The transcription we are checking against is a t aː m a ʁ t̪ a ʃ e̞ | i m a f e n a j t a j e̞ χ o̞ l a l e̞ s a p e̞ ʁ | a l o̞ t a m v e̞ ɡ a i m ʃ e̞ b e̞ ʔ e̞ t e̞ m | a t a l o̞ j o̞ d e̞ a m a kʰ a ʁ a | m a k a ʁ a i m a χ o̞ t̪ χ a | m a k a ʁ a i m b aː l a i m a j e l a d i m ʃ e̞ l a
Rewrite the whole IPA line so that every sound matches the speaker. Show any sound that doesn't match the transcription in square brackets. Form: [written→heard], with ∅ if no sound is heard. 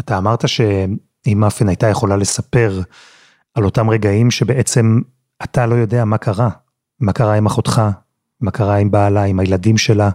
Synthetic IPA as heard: a t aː m a ʁ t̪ a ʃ e̞ | i m a f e n a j t a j e̞ χ o̞ l a l e̞ s a p e̞ ʁ | a l o̞ t a m [v→ʁ] e̞ ɡ a i m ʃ e̞ b e̞ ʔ e̞ [t→t͡s] e̞ m | a t a l o̞ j o̞ d e̞ a m a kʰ a ʁ a | m a k a ʁ a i m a χ o̞ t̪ χ a | m a k a ʁ a i m b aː l a i m a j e l a d i m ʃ e̞ l a